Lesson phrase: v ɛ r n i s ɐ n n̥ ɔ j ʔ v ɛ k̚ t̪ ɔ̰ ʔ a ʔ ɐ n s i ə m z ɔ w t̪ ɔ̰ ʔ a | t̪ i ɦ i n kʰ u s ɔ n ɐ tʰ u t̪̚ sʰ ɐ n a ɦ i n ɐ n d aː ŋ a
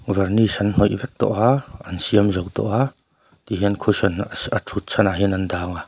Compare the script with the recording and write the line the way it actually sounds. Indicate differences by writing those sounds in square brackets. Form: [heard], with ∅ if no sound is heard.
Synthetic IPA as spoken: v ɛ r n i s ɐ n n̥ ɔ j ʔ v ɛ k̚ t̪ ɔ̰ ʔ a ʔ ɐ n s i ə m z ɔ w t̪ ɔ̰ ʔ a | t̪ i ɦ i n kʰ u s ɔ n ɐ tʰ u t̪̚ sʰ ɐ n a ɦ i n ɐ n d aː ŋ a